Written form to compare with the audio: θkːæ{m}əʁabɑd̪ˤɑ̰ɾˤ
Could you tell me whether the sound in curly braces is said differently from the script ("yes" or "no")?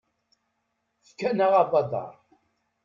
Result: yes